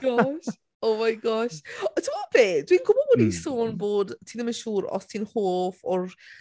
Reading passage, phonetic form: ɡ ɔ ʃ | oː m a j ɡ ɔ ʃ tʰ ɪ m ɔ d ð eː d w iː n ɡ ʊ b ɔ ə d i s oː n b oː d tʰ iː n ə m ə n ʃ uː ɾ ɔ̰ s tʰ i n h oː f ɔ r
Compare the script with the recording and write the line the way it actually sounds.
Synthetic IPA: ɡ ɔ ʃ | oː m a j ɡ ɔ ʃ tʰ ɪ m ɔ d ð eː d w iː n ɡ ʊ b ɔ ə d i s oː n b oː d tʰ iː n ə m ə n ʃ uː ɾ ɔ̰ s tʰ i n h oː f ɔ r